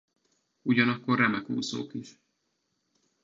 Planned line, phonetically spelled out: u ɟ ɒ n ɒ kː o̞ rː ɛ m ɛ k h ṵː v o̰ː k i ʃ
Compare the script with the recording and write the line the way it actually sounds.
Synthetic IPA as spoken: u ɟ ɒ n ɒ kː o̞ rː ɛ m ɛ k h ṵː z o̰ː k i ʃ

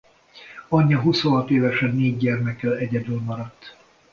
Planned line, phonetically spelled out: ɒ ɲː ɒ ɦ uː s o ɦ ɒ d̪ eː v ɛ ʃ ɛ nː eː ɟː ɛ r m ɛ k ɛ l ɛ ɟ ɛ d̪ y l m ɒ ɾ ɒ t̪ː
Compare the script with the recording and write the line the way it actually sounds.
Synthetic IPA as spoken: ɒ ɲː ɒ ɦ u s o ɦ ɒ t̪ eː v ɛ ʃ ɛ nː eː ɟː ɛ r m ɛ k ɛ l ɛ ɟ ɛ d̪ y l m ɒ ɾ ɒ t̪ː

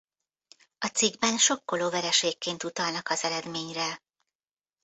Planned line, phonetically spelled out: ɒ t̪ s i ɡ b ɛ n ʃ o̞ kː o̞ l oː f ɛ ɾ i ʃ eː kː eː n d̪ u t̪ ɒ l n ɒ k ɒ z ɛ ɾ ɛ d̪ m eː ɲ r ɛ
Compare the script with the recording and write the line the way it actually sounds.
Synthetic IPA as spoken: ɒ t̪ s i ɡ b ɛ n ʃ o̞ kː o̞ l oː v ɛ ɾ ɛ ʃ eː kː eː n t̪ u t̪ ɒ l n ɒ k ɒ z ɛ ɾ ɛ d̪ m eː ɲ r ɛ

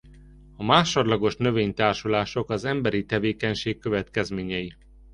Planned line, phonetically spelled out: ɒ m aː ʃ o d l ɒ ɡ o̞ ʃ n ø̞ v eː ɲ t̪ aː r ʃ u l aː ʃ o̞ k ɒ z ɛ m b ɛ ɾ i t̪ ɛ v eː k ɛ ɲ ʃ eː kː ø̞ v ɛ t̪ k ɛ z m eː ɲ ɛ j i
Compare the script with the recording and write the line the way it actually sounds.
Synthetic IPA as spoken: ɒ m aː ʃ o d l ɒ ɡ o̞ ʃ n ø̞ v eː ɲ t̪ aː r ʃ u l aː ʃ o̞ k ɒ z ɛ m b ɛ ɾ i t̪ ɛ v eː k ɛ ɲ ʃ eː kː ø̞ v ɛ t̪ k ɛ z m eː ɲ ɛ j i

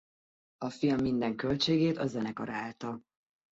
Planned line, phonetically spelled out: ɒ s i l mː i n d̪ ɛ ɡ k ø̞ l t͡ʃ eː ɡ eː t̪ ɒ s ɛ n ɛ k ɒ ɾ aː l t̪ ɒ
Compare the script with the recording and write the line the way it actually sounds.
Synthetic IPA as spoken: ɒ f i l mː i n d̪ ɛ ŋ k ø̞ l t͡ʃ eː ɡ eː t̪ ɒ z ɛ n ɛ k ɒ ɾ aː l t̪ ɒ

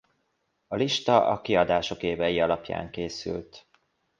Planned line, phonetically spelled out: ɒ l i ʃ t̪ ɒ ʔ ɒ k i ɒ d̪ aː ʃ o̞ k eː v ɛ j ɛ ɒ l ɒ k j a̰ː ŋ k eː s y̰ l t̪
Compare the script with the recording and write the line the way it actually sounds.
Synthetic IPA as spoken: ɒ l i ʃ t̪ ɒ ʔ ɒ k i ɒ d̪ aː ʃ o̞ k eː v ɛ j i ɒ l ɒ p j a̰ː ŋ k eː s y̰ l t̪

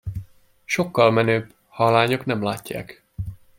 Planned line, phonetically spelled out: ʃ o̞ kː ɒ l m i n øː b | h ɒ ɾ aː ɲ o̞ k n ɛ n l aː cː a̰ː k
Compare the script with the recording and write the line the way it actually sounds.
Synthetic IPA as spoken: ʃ o̞ kː ɒ l m ɛ n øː b | h ɒ l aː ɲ o̞ k n ɛ m l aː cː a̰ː k

